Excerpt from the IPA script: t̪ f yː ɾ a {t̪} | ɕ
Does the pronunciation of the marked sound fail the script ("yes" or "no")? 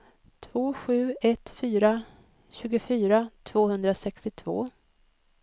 yes